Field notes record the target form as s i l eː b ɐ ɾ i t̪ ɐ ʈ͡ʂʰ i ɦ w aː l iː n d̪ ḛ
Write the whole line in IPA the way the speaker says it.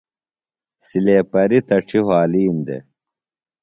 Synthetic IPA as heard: s i l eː p ɐ ɾ i t̪ ɐ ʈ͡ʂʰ i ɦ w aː l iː n d̪ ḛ